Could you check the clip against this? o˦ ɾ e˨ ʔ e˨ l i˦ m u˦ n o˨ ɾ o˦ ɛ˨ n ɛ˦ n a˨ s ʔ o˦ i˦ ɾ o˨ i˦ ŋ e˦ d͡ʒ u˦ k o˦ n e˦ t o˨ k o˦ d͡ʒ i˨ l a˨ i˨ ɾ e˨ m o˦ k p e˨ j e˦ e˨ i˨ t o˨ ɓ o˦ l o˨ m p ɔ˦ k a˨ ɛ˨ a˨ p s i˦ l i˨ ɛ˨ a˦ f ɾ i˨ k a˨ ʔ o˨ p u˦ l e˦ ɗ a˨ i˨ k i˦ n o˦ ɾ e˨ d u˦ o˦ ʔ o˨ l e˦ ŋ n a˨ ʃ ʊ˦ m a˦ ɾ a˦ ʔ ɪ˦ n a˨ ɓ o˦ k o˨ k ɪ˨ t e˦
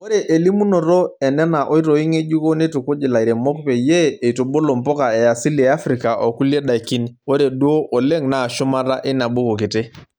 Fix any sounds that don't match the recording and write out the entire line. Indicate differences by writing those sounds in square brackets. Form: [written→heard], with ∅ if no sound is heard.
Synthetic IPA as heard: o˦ ɾ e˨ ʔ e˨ l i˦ m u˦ n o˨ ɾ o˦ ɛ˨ n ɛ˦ n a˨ [s→∅] ʔ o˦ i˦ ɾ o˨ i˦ ŋ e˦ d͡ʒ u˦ k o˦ n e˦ t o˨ k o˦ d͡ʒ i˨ l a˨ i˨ ɾ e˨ m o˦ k p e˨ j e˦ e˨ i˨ t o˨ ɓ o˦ l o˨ m p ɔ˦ k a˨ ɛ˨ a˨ [p→∅] s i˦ l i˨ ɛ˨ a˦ f ɾ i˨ k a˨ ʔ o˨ [p→k] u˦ l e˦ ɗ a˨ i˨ k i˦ n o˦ ɾ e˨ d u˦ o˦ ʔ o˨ l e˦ ŋ n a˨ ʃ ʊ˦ m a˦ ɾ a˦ ʔ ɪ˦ n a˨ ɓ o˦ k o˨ k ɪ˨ t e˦